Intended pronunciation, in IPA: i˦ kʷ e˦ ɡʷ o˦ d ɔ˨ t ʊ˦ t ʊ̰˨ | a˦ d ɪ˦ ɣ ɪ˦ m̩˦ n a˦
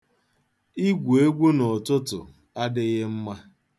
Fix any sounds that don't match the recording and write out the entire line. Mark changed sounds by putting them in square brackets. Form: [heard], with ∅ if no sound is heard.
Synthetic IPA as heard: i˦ [ɡʷ] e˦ ɡʷ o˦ [n] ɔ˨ t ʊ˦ t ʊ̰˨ | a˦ d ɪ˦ ɣ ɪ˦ m̩˦ [m] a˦

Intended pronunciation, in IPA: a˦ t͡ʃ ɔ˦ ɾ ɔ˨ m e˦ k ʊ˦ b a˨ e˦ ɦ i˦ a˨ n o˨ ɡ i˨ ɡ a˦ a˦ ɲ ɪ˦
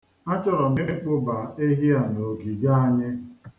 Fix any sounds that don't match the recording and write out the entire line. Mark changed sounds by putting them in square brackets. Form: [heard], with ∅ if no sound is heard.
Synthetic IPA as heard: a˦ t͡ʃ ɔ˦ ɾ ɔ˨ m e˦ [k͡p] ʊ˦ b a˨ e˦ ɦ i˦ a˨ n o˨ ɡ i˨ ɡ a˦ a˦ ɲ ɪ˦

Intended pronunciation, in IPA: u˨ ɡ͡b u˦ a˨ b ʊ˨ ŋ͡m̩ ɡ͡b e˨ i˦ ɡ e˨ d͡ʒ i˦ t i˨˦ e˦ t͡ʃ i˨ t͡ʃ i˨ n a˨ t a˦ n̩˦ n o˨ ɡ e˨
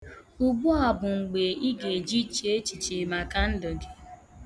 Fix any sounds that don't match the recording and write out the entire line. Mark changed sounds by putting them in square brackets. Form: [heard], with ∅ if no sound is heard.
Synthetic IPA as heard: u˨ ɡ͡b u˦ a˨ b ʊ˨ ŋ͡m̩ ɡ͡b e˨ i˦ ɡ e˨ d͡ʒ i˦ [t͡ʃ] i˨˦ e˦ t͡ʃ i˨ t͡ʃ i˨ [m] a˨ [k] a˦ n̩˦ [d] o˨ ɡ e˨

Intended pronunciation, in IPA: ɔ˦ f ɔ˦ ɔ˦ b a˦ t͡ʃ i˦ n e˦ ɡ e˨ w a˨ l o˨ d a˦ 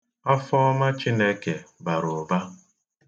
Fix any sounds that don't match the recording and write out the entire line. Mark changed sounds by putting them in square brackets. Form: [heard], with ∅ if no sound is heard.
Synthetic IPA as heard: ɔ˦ f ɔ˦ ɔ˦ [m] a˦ t͡ʃ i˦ n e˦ [k] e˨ [b] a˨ [ɾ] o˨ [b] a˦

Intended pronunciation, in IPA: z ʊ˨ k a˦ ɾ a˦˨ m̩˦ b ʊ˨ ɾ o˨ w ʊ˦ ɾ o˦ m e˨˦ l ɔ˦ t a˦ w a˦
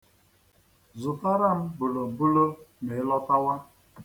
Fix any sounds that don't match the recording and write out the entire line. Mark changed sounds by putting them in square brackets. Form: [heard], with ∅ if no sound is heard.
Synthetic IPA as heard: z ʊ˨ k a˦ ɾ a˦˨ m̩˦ b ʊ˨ [l] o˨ [b] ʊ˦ [l] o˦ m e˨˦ l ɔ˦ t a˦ w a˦

